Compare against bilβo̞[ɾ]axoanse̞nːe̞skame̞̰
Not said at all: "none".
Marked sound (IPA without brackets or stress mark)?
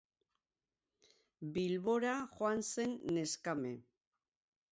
ɾ